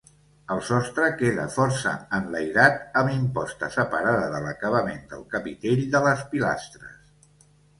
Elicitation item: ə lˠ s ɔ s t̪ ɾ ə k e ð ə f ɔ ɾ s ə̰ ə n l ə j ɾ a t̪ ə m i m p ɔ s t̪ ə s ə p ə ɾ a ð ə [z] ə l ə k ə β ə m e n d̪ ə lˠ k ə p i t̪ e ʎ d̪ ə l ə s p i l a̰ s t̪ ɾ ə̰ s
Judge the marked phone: incorrect: ð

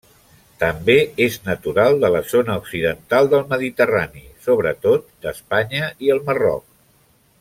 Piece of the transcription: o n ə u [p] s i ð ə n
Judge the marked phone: incorrect: k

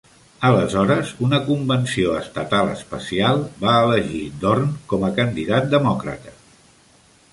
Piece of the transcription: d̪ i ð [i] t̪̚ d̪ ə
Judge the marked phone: incorrect: a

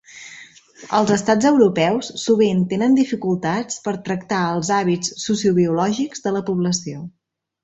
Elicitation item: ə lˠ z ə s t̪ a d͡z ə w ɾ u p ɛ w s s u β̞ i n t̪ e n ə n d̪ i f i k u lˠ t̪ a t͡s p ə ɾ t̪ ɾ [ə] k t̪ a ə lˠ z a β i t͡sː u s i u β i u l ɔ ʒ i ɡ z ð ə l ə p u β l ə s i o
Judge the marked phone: correct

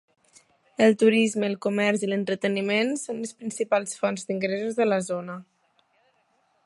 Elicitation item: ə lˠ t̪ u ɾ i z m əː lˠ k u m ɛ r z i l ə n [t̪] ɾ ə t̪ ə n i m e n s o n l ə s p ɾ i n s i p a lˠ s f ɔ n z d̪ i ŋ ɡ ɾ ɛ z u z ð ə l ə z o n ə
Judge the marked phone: correct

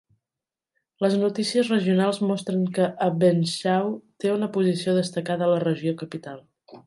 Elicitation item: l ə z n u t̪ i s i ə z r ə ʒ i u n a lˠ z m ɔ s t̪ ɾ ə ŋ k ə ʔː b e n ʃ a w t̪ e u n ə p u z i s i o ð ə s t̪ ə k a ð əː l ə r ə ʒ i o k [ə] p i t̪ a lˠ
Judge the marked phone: correct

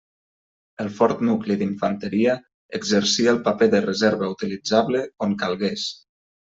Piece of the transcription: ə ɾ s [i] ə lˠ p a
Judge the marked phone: correct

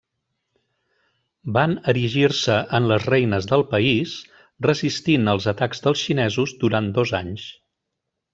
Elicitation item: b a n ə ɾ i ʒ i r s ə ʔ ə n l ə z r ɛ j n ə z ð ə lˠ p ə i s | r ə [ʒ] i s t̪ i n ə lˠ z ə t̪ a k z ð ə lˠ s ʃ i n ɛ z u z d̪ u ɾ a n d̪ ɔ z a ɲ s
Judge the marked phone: incorrect: z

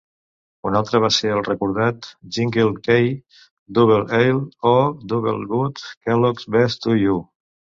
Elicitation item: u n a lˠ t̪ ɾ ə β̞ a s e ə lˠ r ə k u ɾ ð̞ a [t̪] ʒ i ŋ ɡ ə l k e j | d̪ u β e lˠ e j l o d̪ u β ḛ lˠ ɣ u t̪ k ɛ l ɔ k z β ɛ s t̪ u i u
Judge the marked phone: correct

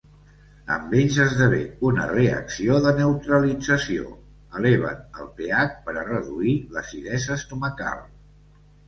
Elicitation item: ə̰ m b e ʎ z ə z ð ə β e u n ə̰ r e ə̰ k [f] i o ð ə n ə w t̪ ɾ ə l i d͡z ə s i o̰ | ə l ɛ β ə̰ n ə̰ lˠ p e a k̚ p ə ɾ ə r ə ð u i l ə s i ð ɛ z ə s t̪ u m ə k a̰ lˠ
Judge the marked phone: incorrect: s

